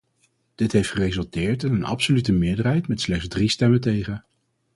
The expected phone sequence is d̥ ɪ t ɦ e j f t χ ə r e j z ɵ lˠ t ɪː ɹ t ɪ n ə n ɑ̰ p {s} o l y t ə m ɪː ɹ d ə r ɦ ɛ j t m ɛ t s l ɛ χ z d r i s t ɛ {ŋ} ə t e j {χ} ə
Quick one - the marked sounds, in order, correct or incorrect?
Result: correct, incorrect: m, correct

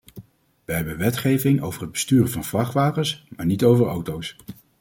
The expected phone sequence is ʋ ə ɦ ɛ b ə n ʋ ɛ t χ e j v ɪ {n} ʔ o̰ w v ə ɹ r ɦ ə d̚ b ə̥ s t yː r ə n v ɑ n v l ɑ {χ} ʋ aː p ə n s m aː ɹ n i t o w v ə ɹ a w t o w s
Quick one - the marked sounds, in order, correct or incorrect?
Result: incorrect: ŋ, correct

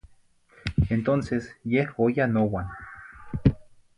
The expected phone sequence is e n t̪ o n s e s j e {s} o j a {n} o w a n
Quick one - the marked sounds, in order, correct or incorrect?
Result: incorrect: h, correct

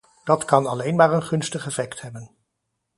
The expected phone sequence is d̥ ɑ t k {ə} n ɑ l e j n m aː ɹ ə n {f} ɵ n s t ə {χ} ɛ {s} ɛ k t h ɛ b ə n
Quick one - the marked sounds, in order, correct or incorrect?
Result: incorrect: ɑ, incorrect: χ, correct, incorrect: f

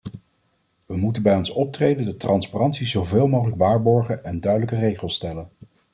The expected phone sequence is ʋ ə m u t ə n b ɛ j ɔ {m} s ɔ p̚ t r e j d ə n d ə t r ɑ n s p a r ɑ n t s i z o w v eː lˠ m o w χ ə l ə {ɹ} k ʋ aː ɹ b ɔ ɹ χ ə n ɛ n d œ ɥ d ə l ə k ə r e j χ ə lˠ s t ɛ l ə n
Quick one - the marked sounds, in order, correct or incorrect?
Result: incorrect: n, incorrect: none

